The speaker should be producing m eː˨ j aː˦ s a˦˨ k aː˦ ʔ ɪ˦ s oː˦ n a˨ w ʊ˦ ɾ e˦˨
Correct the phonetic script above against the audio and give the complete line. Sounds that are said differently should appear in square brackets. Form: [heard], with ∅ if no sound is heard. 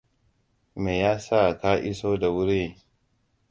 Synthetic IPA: m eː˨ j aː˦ s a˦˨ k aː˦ ʔ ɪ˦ s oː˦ [d] a˨ w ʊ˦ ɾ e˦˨